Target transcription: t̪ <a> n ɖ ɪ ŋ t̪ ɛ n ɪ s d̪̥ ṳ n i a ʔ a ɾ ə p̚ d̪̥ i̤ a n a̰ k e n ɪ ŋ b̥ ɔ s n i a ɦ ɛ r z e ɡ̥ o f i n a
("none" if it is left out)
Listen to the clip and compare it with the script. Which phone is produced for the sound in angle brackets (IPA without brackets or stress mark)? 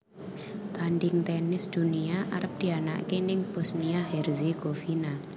a